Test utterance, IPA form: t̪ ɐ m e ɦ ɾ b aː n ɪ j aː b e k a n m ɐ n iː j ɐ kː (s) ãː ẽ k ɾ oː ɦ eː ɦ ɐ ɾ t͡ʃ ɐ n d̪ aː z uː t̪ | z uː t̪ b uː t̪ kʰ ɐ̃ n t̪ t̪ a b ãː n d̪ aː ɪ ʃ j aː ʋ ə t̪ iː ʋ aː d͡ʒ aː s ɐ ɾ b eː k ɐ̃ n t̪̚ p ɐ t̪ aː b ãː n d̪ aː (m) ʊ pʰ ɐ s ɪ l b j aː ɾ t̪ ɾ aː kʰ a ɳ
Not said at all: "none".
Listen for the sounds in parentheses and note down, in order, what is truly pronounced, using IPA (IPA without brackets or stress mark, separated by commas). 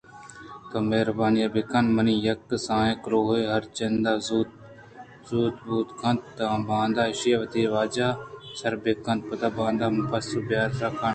s, m